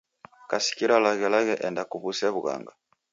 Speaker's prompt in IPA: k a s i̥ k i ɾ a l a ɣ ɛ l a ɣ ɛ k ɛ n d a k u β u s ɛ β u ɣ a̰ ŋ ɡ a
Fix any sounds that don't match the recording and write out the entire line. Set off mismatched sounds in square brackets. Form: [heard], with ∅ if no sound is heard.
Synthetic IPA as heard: k a s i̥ k i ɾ a l a ɣ ɛ l a ɣ ɛ [ʔ] ɛ n d a k u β u s ɛ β u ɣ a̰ ŋ ɡ a